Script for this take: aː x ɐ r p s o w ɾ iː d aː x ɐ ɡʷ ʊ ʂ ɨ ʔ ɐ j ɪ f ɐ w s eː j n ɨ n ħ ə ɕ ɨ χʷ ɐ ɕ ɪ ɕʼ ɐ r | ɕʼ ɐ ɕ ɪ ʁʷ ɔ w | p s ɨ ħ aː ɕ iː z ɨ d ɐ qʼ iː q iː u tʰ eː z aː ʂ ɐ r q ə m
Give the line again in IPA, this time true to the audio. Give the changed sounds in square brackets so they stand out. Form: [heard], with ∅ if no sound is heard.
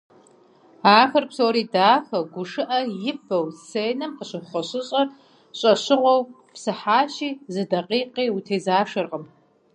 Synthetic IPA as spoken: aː x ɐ r p s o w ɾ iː d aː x ɐ ɡʷ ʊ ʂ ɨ ʔ ɐ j ɪ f ɐ w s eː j n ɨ [m] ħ ə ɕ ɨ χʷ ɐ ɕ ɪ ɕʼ ɐ r | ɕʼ ɐ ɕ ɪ ʁʷ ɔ w | p s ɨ ħ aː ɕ iː z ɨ d ɐ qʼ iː q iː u tʰ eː z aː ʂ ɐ r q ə m